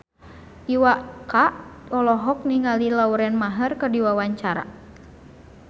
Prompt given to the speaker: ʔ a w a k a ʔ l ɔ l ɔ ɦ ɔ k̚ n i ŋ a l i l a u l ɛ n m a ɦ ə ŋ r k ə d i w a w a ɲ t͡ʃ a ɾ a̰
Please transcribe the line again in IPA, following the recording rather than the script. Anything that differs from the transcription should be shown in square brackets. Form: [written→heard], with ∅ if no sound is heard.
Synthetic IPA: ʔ [a→i] w a k a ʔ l ɔ l ɔ ɦ ɔ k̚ n i ŋ a l i l a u [l→ɾ] ɛ n m a ɦ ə [ŋ→∅] r k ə d i w a w a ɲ t͡ʃ a ɾ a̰

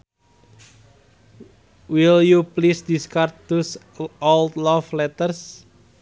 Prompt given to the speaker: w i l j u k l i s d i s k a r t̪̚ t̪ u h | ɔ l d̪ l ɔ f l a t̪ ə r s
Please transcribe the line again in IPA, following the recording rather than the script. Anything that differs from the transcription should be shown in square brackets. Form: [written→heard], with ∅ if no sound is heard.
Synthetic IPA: w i l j u [k→p] l i s d i s k a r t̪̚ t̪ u [h→s] | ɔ l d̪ l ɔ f l [a→ɛ] t̪ ə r s

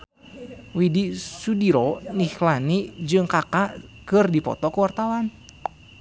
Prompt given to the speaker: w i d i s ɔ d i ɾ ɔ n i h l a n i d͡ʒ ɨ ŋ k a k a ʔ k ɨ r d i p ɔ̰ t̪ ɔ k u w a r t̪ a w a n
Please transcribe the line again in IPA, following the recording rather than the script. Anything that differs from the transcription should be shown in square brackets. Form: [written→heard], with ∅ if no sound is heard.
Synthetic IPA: w i d i s [ɔ→u] d i ɾ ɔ n i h l a n i d͡ʒ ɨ ŋ k a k a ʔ k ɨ r d i p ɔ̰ t̪ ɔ k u w a r t̪ a w a n

